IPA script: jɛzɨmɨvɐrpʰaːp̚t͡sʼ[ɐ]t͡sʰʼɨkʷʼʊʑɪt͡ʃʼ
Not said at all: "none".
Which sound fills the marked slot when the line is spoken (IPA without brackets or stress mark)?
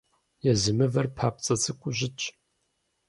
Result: ɐ